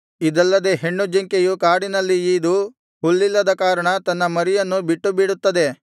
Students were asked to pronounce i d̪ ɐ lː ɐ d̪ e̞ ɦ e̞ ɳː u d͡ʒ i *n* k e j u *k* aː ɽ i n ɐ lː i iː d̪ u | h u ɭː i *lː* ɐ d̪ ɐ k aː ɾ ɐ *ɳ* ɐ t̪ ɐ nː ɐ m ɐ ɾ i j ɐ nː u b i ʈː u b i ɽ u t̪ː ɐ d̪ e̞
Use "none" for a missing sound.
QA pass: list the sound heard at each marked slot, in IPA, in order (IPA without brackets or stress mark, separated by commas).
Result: ŋ, k, lː, ɳ